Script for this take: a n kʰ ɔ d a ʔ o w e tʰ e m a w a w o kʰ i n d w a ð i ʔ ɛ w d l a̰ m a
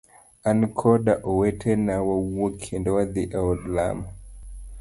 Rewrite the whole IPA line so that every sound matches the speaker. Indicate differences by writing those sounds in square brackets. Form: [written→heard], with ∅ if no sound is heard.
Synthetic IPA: a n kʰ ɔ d a ʔ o w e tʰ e [m→n] a w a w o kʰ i n d w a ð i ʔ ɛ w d l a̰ m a